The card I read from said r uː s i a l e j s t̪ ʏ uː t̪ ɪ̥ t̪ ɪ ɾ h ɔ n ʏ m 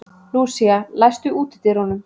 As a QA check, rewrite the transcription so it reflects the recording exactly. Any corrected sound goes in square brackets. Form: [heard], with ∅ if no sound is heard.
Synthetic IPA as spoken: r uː s i a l [a] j s t̪ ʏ uː t̪ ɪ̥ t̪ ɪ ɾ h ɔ n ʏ m